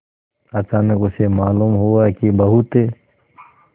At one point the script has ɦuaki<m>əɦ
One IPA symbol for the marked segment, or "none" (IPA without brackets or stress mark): b